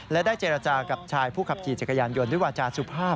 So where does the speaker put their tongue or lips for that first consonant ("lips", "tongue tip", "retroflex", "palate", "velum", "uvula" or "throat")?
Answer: tongue tip